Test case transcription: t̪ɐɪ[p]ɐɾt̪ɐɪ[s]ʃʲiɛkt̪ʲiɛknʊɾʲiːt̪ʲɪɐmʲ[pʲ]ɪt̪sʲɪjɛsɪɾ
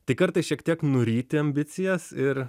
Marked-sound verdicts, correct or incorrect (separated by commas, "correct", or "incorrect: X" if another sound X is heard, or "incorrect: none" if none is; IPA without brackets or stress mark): incorrect: k, correct, incorrect: bʲ